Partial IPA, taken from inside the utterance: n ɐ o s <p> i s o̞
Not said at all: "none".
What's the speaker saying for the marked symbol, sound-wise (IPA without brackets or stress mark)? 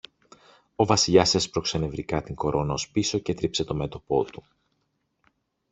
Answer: p